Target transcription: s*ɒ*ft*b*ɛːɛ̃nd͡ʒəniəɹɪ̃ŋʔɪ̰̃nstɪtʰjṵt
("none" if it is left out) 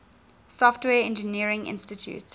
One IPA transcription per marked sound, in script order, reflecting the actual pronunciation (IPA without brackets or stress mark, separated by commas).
ɔ, w